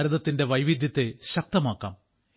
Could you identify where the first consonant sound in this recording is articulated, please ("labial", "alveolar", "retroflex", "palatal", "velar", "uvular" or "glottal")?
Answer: alveolar